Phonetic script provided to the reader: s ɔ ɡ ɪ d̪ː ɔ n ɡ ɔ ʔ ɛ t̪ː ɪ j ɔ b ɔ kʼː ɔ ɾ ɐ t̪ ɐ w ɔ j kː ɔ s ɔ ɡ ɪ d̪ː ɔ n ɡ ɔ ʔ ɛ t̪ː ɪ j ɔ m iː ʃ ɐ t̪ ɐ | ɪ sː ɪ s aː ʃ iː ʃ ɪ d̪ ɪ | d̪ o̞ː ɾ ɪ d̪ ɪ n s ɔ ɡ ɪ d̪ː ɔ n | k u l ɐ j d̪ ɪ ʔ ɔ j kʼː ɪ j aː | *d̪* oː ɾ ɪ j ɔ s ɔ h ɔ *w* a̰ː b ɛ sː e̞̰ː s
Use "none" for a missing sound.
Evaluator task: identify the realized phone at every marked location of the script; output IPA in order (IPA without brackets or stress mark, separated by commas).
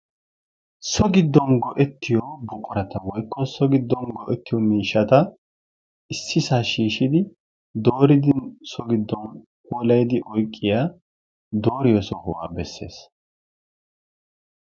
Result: d̪, w